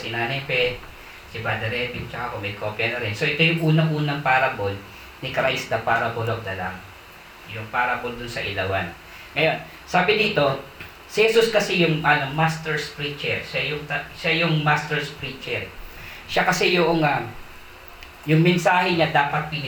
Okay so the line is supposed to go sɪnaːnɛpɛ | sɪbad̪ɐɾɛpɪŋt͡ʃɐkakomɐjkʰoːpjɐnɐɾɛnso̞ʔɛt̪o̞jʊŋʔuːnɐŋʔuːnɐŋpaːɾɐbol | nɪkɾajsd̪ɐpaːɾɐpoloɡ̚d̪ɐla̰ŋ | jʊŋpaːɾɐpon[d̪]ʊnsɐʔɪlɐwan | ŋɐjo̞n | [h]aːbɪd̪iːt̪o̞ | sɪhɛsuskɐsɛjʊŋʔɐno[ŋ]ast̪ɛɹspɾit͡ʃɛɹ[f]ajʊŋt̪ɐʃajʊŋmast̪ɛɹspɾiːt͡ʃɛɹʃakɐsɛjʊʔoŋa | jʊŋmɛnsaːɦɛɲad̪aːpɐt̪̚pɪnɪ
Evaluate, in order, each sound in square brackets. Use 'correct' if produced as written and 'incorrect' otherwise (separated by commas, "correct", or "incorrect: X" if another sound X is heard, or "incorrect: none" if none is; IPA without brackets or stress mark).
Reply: correct, incorrect: s, incorrect: m, incorrect: ʃ